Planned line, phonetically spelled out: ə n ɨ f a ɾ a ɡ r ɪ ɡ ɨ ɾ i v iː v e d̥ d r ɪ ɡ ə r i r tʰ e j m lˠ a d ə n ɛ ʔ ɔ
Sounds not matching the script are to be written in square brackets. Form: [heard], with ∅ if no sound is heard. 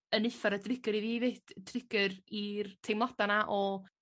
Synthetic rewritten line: ə n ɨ f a ɾ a [d] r ɪ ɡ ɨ ɾ i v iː v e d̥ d r ɪ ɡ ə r i r tʰ e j m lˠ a d [a] n [a] ʔ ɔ